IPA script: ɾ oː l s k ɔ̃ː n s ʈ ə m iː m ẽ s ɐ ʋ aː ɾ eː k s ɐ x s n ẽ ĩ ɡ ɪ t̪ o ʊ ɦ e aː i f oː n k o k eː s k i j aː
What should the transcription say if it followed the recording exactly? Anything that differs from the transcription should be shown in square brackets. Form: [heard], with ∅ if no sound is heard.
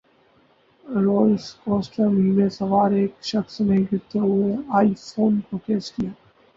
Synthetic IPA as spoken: ɾ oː l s k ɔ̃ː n s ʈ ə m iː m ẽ s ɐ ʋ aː ɾ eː k [ʃ] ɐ x s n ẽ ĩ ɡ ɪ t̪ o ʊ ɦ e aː i f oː n k o k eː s k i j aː

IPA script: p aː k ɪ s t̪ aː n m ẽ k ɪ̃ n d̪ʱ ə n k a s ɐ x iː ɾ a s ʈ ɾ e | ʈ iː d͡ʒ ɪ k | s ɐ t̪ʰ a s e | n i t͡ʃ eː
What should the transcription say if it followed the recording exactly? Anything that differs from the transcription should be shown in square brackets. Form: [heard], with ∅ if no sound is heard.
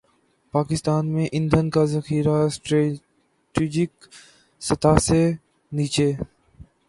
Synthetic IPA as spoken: p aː k ɪ s t̪ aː n m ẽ [ʔ] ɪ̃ n d̪ʱ ə n k a [z] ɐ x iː ɾ a s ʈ ɾ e | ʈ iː d͡ʒ ɪ k | s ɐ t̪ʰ a s e | n [iː] t͡ʃ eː

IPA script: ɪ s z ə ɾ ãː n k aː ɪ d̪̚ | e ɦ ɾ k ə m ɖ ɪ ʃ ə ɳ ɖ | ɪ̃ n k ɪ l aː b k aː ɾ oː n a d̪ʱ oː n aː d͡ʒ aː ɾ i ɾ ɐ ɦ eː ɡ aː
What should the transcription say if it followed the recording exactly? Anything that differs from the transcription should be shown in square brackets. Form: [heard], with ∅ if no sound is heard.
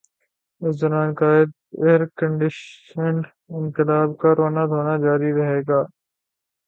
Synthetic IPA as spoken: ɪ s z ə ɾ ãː n k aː ɪ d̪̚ | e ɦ ɾ k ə [ɳ] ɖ ɪ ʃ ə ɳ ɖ | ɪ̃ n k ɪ l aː b k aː ɾ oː n a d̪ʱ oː n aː d͡ʒ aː ɾ i ɾ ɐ ɦ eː ɡ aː

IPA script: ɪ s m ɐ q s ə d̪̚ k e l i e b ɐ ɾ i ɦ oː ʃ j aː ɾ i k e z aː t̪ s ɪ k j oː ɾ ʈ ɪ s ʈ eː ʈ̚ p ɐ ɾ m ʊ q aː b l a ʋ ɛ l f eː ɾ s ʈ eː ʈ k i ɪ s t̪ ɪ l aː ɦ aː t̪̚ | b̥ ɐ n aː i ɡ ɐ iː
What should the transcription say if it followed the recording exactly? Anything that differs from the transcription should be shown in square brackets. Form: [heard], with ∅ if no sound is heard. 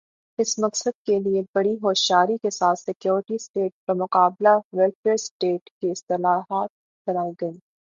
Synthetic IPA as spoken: ɪ s m ɐ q s ə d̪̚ k e l i e b ɐ [ɽ] i ɦ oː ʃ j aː ɾ i k e [s] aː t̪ s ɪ k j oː ɾ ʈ [i] s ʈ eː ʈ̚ p ɐ ɾ m ʊ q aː b l a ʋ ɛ l f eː ɾ s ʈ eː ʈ k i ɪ s t̪ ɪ l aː ɦ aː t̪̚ | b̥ ɐ n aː i ɡ ɐ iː

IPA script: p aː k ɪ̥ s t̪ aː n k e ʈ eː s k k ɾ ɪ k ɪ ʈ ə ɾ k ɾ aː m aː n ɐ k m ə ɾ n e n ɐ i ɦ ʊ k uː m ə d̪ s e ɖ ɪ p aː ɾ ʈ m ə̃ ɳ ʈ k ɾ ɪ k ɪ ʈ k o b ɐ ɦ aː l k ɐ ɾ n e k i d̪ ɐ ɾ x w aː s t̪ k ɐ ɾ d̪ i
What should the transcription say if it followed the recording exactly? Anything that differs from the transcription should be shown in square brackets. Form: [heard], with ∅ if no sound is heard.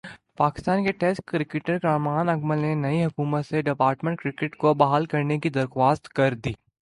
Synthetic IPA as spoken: p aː k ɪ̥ s t̪ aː n k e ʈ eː s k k ɾ ɪ k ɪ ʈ ə ɾ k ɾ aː m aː n ɐ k m ə [l] n e n ɐ i ɦ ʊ k uː m ə [t̪] s e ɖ ɪ p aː ɾ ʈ m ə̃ ɳ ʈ k ɾ ɪ k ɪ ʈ k o b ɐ ɦ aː l k ɐ ɾ n e k i d̪ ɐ ɾ x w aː s t̪ k ɐ ɾ d̪ [iː]

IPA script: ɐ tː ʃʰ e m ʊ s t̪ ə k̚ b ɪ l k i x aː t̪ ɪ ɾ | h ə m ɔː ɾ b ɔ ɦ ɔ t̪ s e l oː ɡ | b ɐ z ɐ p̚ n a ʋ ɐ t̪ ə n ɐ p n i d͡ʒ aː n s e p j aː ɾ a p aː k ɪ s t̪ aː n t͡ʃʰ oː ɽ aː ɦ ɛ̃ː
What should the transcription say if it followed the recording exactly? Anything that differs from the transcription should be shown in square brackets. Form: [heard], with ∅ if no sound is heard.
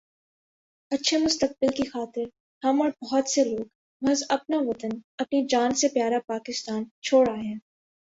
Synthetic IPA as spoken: ɐ tː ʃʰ e m ʊ s t̪ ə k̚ b ɪ l k i x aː t̪ ɪ ɾ | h [ɐ] m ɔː ɾ b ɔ ɦ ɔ t̪ s e l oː ɡ | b ɐ z ɐ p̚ n a ʋ ɐ t̪ ə n ɐ p n i d͡ʒ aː n s e p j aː ɾ a p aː k ɪ s t̪ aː n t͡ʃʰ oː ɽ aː ɦ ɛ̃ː

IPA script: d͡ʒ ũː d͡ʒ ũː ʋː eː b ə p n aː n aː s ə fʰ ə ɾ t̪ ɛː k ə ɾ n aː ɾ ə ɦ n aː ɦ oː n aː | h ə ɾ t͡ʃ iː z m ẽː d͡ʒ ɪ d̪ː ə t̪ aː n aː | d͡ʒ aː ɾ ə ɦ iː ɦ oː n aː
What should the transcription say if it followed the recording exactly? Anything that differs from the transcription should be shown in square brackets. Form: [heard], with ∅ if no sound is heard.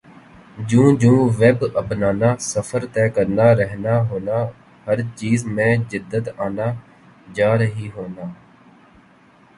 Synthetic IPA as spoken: d͡ʒ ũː d͡ʒ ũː [ʋ] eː b ə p n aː n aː s ə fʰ ə ɾ t̪ ɛː k ə ɾ n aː ɾ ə ɦ n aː ɦ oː n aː | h ə ɾ t͡ʃ iː z m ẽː d͡ʒ ɪ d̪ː ə t̪ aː n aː | d͡ʒ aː ɾ ə ɦ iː ɦ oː n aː

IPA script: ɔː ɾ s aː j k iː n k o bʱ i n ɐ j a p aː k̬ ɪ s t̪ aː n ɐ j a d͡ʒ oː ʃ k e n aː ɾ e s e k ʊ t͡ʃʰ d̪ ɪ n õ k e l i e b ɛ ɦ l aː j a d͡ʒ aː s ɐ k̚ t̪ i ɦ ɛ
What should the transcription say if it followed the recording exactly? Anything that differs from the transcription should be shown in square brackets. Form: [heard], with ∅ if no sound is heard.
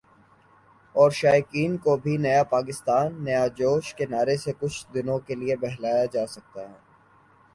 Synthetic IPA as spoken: ɔː ɾ [ʃ] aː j k iː n k o bʱ i n ɐ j a p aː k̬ ɪ s t̪ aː [nː] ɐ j a d͡ʒ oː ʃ k e n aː ɾ e s e k ʊ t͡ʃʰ d̪ ɪ n õ k e l i e b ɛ ɦ l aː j a d͡ʒ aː s ɐ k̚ t̪ [a] ɦ [ɛː]

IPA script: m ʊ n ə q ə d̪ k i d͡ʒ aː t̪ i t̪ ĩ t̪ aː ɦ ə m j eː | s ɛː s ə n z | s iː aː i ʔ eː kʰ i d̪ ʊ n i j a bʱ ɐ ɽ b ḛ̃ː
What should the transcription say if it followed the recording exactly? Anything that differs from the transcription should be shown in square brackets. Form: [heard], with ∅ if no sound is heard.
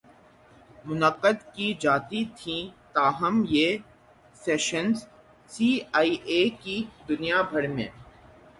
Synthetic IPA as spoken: m ʊ n ə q ə d̪ k i d͡ʒ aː t̪ i [t̪ʰ] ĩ t̪ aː ɦ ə m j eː | s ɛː [ʃ] ə n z | s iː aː i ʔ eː [k] i d̪ ʊ n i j a bʱ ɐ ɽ [m] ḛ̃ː

